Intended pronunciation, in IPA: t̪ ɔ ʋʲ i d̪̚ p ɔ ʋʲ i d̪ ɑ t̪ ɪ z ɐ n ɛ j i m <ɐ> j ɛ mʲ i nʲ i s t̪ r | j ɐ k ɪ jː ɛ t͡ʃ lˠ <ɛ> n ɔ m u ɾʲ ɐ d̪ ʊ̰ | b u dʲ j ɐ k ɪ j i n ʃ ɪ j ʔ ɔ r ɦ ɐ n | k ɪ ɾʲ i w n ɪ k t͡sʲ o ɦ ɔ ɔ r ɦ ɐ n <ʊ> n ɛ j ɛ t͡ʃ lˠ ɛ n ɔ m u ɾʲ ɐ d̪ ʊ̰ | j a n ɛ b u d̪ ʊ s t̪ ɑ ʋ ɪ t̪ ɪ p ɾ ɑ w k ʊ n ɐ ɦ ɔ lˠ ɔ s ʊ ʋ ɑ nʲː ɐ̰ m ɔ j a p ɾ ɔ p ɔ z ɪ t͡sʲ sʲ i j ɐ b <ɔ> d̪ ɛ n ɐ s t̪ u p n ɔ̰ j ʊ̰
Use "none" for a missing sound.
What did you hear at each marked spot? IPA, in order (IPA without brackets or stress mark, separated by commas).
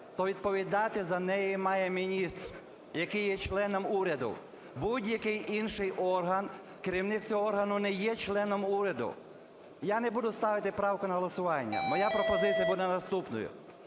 ɑ, ɛ, ʊ, u